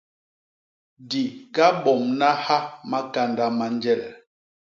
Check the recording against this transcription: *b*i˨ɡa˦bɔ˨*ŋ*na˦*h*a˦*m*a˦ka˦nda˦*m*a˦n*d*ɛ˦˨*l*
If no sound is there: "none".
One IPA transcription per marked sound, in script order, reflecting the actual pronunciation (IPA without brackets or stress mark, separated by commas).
d, m, h, m, m, d͡ʒ, l